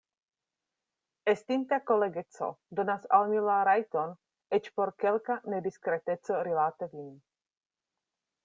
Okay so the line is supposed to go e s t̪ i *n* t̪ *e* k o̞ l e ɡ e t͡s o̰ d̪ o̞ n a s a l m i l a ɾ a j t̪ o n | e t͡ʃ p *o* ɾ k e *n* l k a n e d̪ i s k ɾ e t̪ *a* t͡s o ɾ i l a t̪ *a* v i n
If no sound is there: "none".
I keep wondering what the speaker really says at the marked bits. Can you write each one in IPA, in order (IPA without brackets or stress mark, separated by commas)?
n, a, o, none, e, e